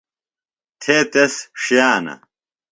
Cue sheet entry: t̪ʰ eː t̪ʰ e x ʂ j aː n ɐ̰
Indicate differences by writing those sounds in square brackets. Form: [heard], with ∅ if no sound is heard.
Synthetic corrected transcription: t̪ʰ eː [t̪] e [s] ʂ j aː n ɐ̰

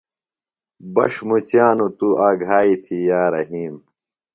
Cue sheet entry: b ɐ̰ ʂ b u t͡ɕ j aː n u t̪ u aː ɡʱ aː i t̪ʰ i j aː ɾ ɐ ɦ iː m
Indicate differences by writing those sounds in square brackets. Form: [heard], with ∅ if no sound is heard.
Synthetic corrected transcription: b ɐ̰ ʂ [m] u t͡ɕ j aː n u t̪ u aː ɡʱ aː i t̪ʰ i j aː ɾ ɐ ɦ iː m

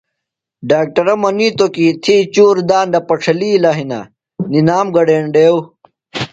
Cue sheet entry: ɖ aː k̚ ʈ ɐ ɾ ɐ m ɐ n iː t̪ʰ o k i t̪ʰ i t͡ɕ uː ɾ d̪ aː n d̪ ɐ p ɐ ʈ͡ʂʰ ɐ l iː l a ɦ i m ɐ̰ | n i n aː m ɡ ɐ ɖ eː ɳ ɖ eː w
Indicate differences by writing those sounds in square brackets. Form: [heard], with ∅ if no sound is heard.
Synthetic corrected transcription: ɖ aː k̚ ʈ ɐ ɾ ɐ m ɐ n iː [t̪] o k i t̪ʰ i t͡ɕ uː ɾ d̪ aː n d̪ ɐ p ɐ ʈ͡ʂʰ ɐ l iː l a ɦ i [n] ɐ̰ | n i n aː m ɡ ɐ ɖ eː ɳ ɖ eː w

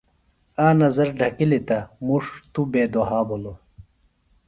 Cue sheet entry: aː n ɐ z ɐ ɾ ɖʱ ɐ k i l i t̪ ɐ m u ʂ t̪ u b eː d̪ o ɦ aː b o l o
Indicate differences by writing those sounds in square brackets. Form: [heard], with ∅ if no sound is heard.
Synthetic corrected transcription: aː n ɐ z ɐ ɾ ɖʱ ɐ k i l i t̪ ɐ m u ʂ t̪ u b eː d̪ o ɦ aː b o l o

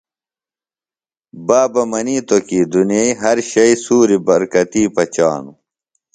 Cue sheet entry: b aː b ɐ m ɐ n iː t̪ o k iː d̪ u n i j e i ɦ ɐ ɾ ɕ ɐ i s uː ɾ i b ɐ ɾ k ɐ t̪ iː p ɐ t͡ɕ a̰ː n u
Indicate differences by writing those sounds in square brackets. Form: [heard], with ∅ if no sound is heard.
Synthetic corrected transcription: b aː b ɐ m ɐ n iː t̪ o k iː d̪ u n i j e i ɦ ɐ ɾ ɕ ɐ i s uː ɾ i b ɐ ɾ k ɐ t̪ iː p ɐ t͡ɕ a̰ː n u

